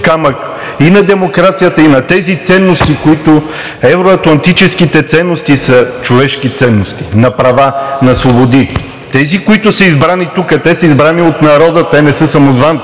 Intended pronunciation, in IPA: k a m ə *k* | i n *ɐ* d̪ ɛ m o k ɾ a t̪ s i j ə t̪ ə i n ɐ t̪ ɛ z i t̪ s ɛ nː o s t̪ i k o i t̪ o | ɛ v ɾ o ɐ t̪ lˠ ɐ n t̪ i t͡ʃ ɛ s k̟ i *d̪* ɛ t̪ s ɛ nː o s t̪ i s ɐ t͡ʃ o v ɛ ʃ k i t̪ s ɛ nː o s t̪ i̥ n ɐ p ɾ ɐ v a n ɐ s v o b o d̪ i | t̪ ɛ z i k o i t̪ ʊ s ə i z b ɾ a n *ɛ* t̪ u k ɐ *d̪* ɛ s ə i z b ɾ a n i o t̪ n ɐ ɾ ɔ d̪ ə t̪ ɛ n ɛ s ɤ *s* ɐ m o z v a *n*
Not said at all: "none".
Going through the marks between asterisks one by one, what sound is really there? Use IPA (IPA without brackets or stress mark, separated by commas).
k, ɐ, t̪, i, t̪, s, n